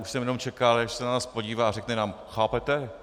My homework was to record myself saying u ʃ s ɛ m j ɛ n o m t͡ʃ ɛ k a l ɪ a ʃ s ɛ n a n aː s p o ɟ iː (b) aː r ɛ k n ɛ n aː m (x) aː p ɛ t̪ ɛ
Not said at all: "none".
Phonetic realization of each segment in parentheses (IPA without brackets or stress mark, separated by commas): v, x